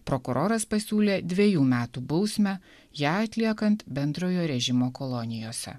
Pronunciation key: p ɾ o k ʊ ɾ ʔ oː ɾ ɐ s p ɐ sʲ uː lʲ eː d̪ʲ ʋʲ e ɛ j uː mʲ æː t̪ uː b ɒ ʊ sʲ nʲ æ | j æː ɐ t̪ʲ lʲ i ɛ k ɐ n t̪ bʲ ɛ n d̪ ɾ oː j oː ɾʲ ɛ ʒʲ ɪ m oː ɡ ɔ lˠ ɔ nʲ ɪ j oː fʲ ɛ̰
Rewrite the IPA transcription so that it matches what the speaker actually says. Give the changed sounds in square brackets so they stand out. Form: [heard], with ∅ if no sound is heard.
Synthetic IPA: p ɾ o k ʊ ɾ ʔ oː ɾ ɐ s p ɐ sʲ uː lʲ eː d̪ʲ ʋʲ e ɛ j uː mʲ æː t̪ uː b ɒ ʊ sʲ [mʲ] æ | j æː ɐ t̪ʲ lʲ i ɛ k ɐ n t̪ bʲ ɛ n d̪ ɾ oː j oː ɾʲ ɛ ʒʲ ɪ m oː [k] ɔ lˠ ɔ nʲ ɪ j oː [sʲ] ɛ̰